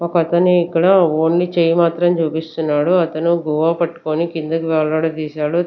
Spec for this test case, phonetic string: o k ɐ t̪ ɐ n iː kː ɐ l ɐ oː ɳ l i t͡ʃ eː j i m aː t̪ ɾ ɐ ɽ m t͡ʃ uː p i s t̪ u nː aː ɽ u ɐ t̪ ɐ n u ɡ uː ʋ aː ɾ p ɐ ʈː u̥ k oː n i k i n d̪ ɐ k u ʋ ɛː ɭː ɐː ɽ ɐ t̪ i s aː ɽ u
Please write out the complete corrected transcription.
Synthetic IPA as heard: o k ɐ t̪ ɐ n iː kː ɐ ɽ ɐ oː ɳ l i t͡ʃ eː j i m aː t̪ ɾ ɐ m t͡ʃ uː p i s t̪ u nː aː ɽ u ɐ t̪ ɐ n u ɡ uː ʋ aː p ɐ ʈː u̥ k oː n i k i n d̪ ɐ k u ʋ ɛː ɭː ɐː ɽ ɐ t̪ iː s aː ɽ u